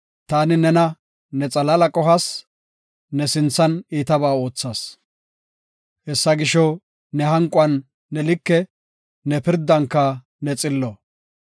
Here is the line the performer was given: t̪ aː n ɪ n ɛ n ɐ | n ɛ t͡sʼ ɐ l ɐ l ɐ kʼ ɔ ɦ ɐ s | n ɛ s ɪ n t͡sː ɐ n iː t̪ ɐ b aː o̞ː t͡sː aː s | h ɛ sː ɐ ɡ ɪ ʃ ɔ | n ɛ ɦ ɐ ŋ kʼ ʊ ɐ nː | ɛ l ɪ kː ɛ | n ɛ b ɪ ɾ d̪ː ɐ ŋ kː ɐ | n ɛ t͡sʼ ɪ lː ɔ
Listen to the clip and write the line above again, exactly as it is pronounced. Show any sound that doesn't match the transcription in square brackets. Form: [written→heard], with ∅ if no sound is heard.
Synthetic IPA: t̪ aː n ɪ n ɛ n ɐ | n ɛ t͡sʼ ɐ l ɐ l ɐ kʼ ɔ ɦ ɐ s | n ɛ s ɪ n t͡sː ɐ n iː t̪ ɐ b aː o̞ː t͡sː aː s | h ɛ sː ɐ ɡ ɪ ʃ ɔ | n ɛ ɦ ɐ ŋ kʼ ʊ ɐ nː | ɛ l ɪ kː ɛ | n ɛ [b→p] ɪ ɾ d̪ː ɐ ŋ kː ɐ | n ɛ t͡sʼ ɪ lː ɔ